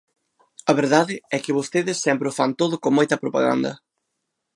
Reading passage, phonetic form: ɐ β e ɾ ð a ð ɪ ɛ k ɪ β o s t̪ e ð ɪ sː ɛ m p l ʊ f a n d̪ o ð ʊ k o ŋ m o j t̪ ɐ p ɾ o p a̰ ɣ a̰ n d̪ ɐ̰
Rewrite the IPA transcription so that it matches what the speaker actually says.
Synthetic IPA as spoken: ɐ β e ɾ ð a ð ɪ ɛ k ɪ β o s t̪ e ð ɪ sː ɛ m p ɾ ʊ f a n t̪ o ð ʊ k o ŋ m o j t̪ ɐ p ɾ o p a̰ ɣ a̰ n d̪ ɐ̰